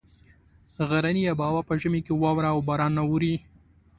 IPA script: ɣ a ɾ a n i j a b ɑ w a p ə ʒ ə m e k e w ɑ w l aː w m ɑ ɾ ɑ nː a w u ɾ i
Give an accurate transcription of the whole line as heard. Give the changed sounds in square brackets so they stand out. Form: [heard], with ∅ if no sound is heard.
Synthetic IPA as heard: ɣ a ɾ a n i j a b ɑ w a p ə ʒ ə m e k e w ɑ w [ɾ] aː w [b] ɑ ɾ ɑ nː a w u ɾ i